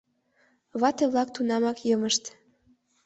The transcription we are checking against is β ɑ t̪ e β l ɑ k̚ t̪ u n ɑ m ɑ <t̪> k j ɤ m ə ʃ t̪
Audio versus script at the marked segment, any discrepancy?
yes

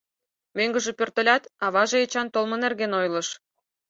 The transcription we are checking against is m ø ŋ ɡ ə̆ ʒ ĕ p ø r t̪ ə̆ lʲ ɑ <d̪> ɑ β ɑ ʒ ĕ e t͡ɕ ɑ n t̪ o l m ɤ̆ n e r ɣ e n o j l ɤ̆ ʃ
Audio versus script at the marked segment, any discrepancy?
yes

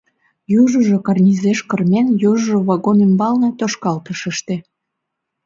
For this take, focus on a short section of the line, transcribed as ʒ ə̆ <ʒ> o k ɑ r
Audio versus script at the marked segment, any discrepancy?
no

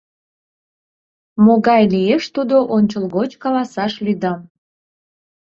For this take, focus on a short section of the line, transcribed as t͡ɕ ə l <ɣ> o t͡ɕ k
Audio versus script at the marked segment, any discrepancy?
no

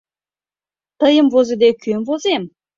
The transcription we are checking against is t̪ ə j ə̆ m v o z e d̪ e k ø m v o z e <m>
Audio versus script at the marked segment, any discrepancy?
no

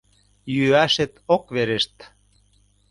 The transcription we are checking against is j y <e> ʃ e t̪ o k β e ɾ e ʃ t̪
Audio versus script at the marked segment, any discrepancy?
yes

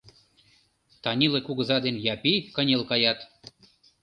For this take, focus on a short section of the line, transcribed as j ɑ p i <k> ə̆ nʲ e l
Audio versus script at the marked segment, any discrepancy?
no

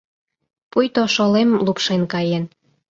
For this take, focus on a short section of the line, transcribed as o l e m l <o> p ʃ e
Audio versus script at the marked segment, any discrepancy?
yes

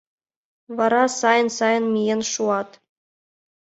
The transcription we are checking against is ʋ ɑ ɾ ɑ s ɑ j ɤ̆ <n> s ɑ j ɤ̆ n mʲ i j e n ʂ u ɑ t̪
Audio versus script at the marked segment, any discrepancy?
no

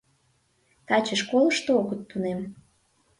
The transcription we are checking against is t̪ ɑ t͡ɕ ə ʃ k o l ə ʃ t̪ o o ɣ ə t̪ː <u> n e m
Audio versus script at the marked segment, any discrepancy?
no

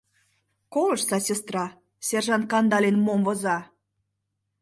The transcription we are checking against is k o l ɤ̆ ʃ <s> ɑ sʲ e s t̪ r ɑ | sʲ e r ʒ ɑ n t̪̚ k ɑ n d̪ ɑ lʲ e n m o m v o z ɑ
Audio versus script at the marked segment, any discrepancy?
no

